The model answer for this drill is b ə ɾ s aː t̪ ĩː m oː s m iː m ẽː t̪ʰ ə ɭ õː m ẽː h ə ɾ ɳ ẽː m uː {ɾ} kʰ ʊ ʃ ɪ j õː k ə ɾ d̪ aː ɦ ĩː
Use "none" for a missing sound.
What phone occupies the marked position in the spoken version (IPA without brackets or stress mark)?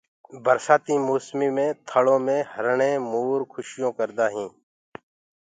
ɾ